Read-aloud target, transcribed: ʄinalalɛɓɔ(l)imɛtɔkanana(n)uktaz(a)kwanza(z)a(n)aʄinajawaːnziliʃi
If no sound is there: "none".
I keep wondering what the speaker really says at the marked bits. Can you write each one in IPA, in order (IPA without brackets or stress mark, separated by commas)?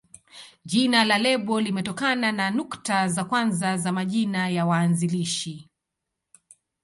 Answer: l, n, a, z, m